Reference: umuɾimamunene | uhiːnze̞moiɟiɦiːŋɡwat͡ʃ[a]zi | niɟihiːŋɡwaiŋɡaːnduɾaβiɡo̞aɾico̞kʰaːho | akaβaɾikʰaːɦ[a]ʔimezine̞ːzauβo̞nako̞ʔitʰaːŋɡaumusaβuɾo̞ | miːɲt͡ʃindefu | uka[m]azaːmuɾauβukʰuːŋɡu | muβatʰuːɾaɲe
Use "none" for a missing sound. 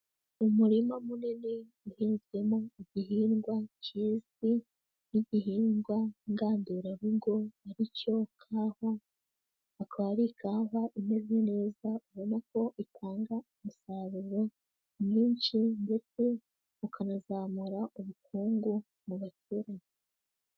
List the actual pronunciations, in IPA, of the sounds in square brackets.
i, a, n

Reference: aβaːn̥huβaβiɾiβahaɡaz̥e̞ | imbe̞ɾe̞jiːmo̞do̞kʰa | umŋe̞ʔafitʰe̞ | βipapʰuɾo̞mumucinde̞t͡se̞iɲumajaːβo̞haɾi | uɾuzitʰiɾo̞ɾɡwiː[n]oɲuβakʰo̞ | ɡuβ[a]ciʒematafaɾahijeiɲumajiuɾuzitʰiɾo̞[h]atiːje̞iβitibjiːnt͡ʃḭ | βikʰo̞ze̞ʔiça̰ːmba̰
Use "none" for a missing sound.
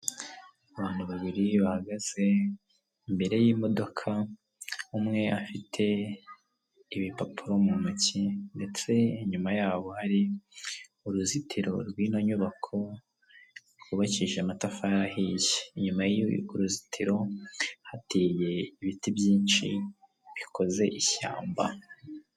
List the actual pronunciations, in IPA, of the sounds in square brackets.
n, a, h

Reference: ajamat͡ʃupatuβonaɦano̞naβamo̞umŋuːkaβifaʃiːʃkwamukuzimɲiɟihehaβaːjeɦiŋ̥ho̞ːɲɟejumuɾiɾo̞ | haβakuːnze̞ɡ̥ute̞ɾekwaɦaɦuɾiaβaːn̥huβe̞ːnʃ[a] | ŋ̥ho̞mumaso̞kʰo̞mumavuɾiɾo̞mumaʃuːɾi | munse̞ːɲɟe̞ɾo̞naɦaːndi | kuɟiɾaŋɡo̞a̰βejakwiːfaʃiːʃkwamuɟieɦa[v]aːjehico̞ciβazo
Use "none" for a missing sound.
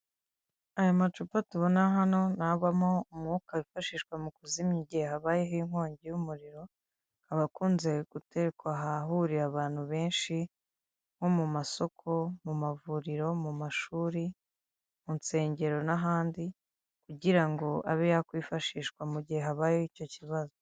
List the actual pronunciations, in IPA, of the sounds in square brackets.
i, β

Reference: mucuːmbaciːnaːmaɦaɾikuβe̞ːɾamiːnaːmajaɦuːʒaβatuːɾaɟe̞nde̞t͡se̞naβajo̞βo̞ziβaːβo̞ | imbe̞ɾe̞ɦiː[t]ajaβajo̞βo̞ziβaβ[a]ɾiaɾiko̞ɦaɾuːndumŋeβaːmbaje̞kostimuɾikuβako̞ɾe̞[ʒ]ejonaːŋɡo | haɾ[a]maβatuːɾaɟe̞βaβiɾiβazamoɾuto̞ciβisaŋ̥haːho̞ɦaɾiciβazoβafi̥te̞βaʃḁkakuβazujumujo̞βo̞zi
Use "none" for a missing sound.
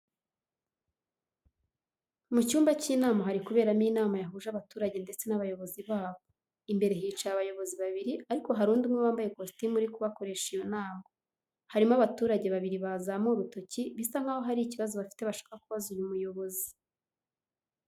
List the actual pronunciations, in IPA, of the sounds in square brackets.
t͡ʃ, i, ʃ, i

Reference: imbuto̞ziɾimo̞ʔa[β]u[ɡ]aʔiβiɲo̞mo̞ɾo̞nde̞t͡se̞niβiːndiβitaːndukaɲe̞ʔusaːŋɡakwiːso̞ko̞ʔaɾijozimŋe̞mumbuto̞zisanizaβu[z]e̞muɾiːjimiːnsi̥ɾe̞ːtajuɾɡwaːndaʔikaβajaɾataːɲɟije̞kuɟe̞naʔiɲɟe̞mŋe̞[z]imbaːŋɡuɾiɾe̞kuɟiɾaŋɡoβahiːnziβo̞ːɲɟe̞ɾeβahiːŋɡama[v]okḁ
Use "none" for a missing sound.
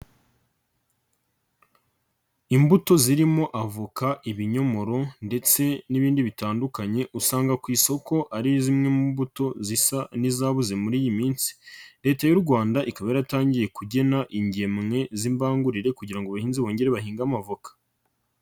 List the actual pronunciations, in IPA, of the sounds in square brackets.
v, k, z, z, v

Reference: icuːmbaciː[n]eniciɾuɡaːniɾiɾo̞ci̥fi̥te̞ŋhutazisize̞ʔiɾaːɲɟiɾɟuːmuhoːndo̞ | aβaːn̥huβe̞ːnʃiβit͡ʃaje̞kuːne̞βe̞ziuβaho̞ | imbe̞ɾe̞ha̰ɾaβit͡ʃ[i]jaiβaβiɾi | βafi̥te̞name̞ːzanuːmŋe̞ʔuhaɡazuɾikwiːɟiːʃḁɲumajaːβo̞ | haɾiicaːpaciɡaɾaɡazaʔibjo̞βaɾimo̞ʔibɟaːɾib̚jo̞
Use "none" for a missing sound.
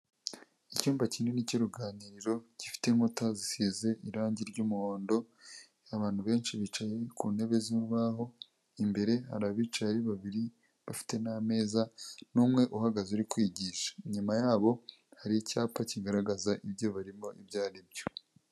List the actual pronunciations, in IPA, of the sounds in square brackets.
n, a

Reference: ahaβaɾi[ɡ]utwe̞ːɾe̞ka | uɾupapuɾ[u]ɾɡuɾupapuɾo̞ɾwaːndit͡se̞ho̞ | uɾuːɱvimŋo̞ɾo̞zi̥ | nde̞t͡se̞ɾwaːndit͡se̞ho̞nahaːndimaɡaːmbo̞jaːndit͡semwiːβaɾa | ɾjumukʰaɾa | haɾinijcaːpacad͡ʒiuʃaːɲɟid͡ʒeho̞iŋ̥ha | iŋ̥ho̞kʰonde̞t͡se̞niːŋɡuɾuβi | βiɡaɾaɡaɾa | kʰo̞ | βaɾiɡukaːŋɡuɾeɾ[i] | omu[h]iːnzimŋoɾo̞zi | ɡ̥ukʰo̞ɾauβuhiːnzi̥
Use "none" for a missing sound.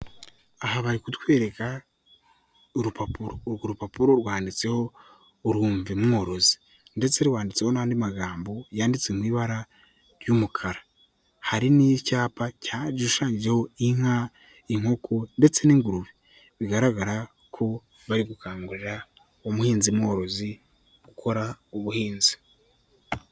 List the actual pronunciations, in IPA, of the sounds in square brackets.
k, o, a, h

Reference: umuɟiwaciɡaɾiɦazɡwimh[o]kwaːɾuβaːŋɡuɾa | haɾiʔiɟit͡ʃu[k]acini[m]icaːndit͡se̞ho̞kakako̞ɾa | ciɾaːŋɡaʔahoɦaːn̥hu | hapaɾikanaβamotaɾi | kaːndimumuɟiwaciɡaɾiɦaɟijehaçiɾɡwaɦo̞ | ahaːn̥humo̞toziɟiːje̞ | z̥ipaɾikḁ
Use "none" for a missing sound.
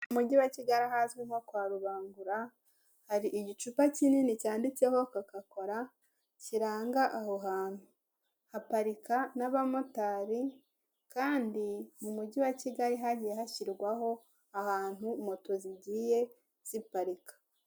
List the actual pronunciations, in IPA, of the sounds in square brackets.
o, p, n

